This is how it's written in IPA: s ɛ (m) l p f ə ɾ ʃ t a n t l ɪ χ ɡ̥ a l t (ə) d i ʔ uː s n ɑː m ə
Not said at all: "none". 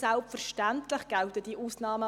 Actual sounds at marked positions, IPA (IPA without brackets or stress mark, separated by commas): none, ə